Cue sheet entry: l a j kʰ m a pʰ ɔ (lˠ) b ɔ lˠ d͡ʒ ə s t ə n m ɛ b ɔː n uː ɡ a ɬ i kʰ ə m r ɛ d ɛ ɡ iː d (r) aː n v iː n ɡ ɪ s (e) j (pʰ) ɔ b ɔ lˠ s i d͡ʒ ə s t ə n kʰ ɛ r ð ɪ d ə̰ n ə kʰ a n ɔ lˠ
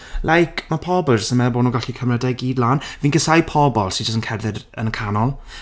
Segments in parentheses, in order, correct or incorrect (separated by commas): incorrect, incorrect, incorrect, correct